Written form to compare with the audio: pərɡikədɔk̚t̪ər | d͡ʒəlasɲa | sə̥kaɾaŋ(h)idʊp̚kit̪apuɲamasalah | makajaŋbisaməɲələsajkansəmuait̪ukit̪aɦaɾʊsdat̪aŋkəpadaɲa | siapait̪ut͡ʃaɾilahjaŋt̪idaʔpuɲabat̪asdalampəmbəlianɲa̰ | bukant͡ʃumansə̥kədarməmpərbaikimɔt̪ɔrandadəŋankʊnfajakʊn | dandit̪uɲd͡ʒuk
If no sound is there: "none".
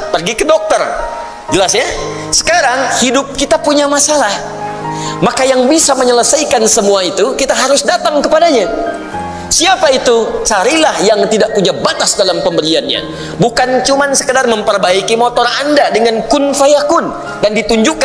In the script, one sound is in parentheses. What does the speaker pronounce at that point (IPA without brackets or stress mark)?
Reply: h